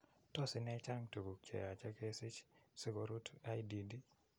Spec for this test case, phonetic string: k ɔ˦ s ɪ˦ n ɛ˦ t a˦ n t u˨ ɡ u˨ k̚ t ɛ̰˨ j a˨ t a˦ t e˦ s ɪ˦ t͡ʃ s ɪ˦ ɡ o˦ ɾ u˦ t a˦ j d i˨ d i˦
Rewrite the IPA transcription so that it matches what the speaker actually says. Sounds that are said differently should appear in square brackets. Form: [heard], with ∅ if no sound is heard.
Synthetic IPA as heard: [t] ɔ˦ s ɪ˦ n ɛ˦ [t͡ʃ] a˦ [ŋ] t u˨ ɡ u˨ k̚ [t͡ʃ] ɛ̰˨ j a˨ [t͡ʃ] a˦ [k] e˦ s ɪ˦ t͡ʃ s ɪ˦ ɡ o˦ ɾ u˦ t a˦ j d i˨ d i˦

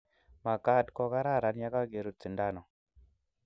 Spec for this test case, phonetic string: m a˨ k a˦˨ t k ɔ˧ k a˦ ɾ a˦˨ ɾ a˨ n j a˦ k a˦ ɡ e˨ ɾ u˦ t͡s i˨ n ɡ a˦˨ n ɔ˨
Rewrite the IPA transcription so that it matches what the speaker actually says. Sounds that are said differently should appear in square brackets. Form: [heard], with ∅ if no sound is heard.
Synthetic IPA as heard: m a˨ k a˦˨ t k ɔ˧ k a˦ ɾ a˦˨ ɾ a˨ n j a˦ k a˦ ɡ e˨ ɾ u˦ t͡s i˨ n [d] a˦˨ n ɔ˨

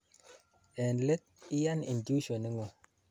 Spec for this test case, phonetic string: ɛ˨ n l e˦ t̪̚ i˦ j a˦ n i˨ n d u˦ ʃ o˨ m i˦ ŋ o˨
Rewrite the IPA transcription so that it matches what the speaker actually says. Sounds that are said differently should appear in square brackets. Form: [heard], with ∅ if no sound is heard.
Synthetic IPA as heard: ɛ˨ n l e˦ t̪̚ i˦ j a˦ n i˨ n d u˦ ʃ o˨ [n] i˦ ŋ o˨

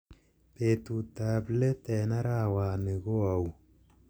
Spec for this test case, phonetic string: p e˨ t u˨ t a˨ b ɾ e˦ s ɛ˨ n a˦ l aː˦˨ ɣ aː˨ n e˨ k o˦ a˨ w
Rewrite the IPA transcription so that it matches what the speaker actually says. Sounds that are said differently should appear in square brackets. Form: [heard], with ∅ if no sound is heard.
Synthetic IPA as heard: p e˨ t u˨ t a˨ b [l] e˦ [t] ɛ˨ n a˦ [ɾ] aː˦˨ [w] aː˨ n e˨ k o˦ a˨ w

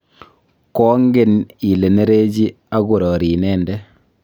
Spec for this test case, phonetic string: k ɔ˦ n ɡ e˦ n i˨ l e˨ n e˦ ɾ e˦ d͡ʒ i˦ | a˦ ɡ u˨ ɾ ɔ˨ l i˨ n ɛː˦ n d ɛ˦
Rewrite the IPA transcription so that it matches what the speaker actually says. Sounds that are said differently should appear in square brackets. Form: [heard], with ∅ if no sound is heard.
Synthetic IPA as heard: k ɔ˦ [ŋ] ɡ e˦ n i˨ l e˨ n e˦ ɾ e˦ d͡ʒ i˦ | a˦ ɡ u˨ ɾ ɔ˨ [ɾ] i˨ n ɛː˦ n d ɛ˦

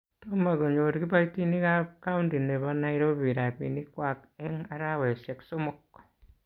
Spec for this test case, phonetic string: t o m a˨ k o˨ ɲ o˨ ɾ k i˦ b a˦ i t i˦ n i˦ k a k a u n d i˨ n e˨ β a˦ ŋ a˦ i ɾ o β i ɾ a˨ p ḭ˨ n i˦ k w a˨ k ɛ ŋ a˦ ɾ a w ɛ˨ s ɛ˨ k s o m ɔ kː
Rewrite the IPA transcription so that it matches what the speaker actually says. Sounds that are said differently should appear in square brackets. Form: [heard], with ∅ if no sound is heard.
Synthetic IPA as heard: t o m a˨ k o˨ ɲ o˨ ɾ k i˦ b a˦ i t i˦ n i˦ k a k a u n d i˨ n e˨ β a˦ [n] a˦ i ɾ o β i ɾ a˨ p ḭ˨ n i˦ k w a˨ k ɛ ŋ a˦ ɾ a w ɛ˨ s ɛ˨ k s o m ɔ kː

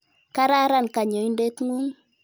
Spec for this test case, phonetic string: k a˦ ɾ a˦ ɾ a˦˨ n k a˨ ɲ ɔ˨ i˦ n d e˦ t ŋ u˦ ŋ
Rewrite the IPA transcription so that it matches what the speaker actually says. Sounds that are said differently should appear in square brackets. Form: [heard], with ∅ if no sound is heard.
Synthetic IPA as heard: k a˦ ɾ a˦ ɾ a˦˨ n k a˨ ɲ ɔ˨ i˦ n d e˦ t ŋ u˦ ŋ

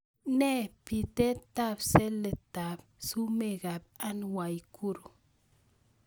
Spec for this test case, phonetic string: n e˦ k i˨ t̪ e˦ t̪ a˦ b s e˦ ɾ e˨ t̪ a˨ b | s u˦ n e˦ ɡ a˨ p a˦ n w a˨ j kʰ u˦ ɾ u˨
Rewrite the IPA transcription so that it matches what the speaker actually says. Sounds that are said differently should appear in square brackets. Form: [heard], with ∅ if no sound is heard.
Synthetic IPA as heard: n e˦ [p] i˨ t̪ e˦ t̪ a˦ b s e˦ [l] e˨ t̪ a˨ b | s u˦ [m] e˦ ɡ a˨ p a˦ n w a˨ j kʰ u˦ ɾ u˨

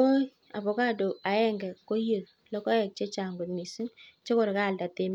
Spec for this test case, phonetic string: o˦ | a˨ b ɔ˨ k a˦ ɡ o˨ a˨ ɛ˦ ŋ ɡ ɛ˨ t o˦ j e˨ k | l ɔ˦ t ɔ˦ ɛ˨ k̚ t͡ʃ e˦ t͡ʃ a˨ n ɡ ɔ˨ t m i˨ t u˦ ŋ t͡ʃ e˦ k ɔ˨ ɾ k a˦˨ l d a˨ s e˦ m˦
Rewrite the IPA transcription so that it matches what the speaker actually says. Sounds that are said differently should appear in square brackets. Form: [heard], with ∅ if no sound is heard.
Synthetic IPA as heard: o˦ | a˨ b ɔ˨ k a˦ [d] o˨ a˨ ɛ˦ ŋ ɡ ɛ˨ [k] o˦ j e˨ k | l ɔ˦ [k] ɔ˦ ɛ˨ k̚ t͡ʃ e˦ t͡ʃ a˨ [ŋ] ɡ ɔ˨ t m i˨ [s] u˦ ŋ t͡ʃ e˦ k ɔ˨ ɾ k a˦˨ l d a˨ [t] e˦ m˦

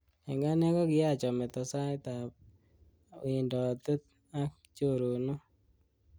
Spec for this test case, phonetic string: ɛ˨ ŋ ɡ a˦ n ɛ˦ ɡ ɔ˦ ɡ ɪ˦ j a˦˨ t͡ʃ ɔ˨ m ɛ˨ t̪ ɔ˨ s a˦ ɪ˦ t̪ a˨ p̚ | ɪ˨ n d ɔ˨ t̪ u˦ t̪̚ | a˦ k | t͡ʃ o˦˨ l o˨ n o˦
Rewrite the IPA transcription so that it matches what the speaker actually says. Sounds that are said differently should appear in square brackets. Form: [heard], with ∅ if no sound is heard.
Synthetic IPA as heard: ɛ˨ ŋ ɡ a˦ n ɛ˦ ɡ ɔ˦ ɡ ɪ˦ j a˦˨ t͡ʃ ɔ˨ m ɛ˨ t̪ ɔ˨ s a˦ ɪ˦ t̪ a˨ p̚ | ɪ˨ n d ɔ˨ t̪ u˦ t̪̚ | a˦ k | t͡ʃ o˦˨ [ɾ] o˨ n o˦

